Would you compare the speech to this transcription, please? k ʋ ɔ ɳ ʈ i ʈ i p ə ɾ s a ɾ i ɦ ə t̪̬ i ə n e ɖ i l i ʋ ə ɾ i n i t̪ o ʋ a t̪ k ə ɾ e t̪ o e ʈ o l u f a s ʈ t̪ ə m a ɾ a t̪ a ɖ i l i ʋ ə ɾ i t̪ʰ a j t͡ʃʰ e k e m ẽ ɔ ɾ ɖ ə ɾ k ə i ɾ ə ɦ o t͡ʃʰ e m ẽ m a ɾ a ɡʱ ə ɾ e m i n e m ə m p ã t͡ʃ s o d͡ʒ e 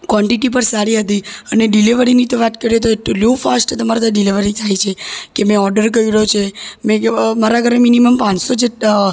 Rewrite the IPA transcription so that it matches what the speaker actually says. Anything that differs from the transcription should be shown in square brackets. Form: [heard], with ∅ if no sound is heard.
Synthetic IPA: k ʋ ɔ ɳ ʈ i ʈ i p ə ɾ s a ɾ i ɦ ə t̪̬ i ə n e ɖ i l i ʋ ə ɾ i n i t̪ o ʋ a t̪ k ə ɾ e t̪ o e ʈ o l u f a s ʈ t̪ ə m a ɾ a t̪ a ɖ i l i ʋ ə ɾ i t̪ʰ a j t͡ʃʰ e k e m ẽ ɔ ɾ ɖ ə ɾ k ə i ɾ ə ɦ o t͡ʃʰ e m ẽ m a ɾ a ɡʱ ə ɾ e m i n [i] m ə m p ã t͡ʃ s o d͡ʒ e